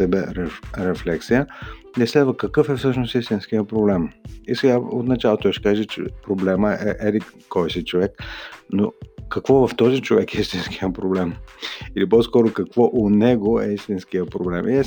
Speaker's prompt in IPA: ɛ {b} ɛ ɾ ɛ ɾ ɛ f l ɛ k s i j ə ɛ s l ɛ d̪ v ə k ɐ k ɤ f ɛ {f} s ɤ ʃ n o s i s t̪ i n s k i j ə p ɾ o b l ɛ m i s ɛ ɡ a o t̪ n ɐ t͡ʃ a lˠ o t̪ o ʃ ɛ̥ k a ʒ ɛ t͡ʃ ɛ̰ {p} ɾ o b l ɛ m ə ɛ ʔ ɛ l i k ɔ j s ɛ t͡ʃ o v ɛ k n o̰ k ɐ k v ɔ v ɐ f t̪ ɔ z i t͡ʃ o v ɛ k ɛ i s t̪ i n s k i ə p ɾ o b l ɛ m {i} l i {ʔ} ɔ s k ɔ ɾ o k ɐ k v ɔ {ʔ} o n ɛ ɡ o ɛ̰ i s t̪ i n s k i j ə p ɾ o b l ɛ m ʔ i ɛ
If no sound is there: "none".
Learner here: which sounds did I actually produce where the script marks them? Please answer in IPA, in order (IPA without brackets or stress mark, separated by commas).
b, f, p, i, p, ʔ